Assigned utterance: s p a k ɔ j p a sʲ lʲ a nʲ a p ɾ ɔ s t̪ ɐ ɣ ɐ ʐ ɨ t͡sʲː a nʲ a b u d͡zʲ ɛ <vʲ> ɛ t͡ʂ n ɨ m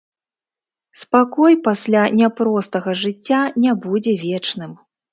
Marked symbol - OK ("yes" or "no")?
yes